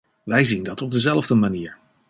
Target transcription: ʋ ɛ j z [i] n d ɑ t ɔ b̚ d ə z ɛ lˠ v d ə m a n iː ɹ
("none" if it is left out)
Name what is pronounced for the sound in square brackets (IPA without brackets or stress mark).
i